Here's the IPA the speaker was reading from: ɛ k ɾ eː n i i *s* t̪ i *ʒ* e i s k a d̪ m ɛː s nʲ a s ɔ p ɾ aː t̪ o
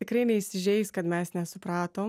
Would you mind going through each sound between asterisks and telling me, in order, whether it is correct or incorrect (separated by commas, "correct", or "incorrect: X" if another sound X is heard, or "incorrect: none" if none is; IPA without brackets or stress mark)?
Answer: correct, correct